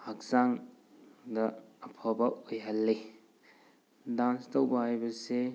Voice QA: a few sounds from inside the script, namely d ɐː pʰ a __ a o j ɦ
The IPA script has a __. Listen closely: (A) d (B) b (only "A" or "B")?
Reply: B